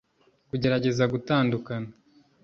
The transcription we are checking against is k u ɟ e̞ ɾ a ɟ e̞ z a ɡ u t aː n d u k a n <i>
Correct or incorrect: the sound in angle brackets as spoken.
incorrect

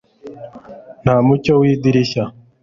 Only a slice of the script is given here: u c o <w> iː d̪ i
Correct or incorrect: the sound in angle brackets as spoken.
correct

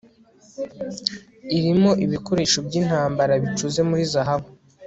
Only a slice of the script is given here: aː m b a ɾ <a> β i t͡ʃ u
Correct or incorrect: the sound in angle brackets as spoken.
correct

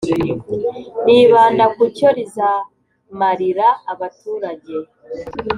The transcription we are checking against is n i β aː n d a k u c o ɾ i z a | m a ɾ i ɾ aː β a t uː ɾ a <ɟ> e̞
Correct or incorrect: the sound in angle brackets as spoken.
correct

